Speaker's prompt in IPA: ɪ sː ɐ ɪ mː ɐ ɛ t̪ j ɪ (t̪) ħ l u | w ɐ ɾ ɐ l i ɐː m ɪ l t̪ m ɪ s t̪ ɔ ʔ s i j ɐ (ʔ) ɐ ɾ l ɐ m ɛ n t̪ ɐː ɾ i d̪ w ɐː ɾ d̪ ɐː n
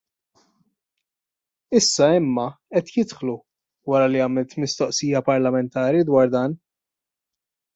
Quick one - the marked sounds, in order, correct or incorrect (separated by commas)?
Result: correct, incorrect